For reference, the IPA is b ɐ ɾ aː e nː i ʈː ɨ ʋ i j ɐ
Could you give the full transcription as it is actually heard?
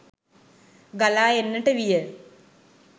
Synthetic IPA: ɡ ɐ l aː e nː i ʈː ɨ ʋ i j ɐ